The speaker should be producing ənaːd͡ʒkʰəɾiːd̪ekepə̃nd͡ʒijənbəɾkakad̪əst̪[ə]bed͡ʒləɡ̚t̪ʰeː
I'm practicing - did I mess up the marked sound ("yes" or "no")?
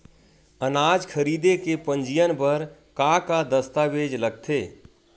yes